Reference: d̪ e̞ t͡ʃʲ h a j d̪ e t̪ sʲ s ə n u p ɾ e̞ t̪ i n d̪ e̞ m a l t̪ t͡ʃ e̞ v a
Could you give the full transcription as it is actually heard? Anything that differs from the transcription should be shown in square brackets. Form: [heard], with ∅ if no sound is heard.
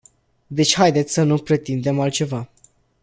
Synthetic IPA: d̪ e̞ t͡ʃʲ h a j d̪ e t̪ sʲ s ə n u p ɾ e̞ t̪ i n d̪ e̞ m a l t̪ t͡ʃ e̞ v a